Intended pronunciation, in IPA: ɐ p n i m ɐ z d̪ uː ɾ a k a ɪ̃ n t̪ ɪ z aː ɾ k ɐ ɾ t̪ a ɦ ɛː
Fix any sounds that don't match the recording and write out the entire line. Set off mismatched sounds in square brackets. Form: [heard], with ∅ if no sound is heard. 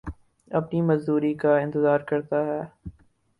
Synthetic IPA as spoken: ɐ p n i m ɐ z d̪ uː ɾ [i] k a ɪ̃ n t̪ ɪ z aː ɾ k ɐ ɾ t̪ a ɦ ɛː